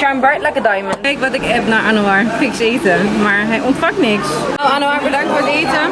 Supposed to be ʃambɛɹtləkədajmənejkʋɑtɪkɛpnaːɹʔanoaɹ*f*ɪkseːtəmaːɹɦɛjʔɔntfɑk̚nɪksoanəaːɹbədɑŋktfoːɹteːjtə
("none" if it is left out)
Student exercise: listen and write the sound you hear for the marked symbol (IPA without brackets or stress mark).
f